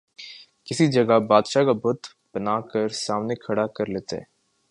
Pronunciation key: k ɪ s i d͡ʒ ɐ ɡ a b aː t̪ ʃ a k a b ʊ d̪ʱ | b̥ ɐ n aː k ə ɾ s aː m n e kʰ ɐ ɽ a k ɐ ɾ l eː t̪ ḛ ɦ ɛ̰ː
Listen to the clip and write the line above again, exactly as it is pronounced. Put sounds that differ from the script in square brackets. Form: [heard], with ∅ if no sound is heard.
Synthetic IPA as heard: k ɪ s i d͡ʒ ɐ ɡ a b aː [d̪] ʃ a k a b ʊ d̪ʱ | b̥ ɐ n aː k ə ɾ s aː m n e kʰ ɐ ɽ a k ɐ ɾ l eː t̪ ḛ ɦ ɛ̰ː